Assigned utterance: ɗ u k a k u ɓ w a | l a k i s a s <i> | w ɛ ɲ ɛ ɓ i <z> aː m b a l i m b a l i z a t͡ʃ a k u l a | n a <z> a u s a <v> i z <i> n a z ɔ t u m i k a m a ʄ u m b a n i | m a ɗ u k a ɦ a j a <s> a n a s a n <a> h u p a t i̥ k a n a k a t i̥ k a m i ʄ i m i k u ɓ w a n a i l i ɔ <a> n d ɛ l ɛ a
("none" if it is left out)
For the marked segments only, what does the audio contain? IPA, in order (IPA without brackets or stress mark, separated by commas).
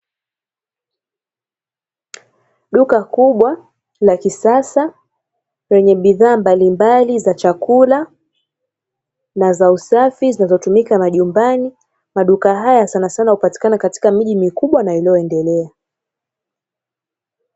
a, ð, z, f, i, s, a, ɛ